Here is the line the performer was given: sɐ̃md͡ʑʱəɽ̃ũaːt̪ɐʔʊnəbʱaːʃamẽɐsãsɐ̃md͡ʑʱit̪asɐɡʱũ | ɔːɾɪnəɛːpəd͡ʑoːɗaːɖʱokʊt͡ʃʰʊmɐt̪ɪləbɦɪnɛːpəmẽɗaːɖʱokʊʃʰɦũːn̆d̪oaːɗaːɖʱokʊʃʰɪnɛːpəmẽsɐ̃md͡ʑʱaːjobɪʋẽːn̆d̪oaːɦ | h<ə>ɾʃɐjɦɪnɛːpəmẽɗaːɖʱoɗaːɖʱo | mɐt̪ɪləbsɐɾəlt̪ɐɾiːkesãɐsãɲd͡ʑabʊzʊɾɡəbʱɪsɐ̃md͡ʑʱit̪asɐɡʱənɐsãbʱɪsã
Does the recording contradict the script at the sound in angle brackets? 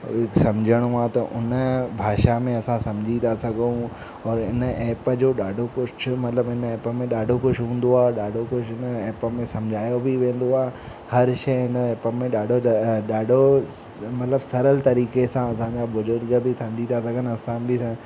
yes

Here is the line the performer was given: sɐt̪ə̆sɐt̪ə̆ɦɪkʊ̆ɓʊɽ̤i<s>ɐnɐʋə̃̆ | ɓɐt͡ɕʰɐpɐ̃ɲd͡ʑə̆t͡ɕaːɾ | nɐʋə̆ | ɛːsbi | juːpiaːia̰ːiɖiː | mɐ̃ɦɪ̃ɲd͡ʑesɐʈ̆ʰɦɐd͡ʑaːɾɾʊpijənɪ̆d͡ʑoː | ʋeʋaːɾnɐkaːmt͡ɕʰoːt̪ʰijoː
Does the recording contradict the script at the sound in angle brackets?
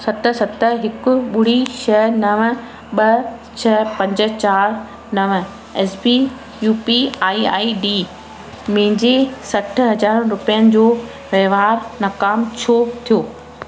yes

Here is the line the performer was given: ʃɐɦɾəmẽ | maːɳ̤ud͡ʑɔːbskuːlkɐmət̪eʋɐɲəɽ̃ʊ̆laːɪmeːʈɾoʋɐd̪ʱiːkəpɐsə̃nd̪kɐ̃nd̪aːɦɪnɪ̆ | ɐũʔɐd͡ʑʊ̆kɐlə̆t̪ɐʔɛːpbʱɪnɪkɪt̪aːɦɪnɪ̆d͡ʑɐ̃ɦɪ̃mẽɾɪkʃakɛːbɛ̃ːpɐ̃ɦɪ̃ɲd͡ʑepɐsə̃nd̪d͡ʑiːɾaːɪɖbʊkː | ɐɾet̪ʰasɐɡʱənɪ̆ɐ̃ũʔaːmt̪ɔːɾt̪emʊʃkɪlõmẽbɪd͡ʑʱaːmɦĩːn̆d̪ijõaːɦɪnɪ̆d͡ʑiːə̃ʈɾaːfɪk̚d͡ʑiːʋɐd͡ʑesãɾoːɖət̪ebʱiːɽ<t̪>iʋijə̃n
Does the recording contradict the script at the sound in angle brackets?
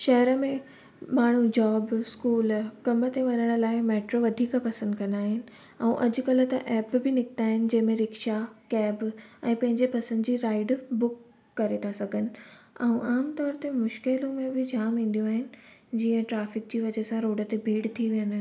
yes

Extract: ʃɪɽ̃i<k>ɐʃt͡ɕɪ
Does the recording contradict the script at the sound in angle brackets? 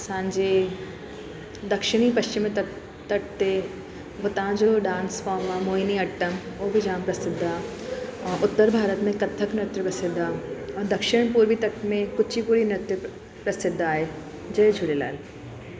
yes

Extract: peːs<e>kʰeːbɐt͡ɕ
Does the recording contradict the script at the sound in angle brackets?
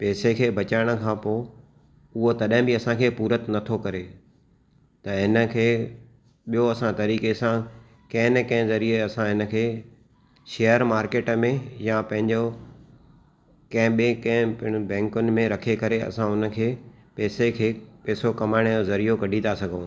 no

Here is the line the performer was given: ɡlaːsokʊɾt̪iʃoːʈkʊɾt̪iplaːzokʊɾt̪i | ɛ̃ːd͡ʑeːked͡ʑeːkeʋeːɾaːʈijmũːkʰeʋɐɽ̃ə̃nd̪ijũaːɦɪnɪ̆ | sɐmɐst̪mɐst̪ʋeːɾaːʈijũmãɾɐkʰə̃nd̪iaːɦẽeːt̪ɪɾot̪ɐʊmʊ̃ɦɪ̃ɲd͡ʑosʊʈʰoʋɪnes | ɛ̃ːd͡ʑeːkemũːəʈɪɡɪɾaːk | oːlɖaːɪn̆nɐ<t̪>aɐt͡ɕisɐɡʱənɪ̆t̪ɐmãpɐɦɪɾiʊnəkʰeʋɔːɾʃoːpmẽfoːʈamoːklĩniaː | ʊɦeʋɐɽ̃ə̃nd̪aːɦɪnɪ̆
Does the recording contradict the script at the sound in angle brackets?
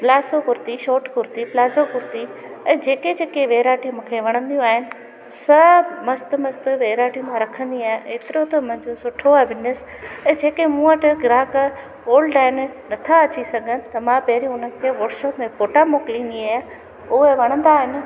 yes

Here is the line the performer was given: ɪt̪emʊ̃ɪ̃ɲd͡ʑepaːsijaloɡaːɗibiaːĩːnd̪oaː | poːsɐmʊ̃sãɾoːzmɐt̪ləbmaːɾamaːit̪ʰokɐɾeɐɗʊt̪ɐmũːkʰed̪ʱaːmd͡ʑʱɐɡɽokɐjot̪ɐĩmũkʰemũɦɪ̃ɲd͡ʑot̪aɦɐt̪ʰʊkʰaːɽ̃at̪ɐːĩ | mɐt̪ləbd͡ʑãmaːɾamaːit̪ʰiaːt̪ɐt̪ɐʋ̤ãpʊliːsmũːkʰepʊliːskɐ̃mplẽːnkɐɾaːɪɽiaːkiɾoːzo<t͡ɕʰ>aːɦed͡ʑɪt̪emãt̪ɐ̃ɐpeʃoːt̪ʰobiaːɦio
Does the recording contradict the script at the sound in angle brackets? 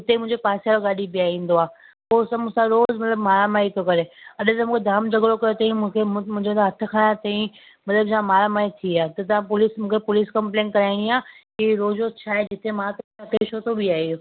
no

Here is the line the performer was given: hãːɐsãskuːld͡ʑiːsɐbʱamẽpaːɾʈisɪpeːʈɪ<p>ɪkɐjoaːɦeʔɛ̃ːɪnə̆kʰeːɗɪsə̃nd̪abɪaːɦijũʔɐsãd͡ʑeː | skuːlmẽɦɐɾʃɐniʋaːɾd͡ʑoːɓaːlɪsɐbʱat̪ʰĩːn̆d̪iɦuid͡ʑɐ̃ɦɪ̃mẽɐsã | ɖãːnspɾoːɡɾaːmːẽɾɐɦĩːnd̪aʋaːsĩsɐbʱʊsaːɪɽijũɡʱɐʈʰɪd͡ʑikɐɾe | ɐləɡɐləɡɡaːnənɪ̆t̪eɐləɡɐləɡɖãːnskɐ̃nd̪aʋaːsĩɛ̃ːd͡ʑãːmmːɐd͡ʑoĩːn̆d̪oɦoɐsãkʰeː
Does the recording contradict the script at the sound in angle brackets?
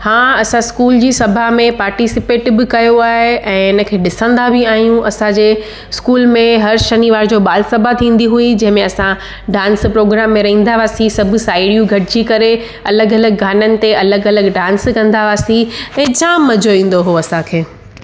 yes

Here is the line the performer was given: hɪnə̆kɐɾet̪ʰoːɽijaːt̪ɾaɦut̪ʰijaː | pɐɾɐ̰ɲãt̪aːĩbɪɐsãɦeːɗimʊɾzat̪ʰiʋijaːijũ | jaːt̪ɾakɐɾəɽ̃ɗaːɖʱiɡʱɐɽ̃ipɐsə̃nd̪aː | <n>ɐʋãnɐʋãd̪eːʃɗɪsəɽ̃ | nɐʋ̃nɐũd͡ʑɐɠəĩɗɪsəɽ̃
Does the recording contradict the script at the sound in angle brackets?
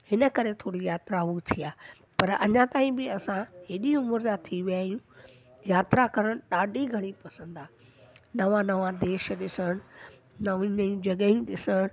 no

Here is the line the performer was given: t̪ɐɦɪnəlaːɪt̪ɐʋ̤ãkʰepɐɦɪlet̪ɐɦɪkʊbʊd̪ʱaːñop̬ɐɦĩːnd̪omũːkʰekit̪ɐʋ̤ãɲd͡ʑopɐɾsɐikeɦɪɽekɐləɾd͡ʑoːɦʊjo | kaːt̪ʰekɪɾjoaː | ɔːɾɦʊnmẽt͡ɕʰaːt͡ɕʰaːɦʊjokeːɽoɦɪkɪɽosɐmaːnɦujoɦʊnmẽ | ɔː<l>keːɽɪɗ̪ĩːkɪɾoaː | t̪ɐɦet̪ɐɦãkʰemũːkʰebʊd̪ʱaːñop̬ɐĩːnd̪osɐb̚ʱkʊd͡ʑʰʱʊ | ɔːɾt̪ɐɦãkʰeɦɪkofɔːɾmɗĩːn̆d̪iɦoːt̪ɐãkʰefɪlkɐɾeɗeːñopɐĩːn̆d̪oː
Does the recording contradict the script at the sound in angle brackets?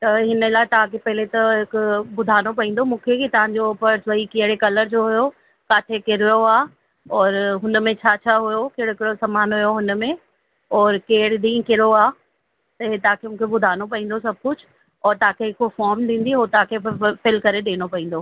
yes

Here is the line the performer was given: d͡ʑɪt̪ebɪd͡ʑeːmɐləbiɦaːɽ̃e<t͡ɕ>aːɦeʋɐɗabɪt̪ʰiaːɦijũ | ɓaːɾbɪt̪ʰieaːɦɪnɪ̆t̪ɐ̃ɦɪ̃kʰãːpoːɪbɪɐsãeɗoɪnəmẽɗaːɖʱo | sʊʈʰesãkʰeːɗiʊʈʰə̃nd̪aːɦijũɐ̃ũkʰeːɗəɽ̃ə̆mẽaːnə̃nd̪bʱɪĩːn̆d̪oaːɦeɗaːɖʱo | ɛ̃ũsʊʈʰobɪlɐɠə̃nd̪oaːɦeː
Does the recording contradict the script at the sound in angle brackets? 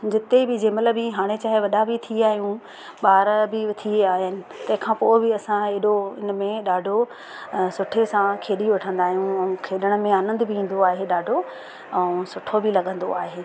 no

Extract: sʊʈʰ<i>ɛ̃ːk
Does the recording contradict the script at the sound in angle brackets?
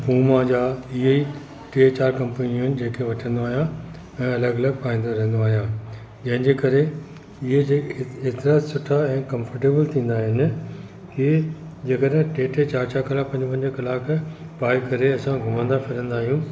yes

